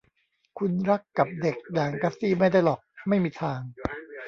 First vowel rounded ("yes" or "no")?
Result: yes